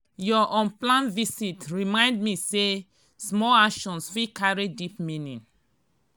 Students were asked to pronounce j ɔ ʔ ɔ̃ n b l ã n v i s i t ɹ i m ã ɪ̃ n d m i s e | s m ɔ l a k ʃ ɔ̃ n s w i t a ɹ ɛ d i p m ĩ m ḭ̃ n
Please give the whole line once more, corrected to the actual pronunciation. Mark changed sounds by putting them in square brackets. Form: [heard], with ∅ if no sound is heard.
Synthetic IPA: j ɔ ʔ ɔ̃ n [p] l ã n v i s i t ɹ i m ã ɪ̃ n d m i s e | s m ɔ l a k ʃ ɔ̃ n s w i [k] a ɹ [i] d i p m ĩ [n] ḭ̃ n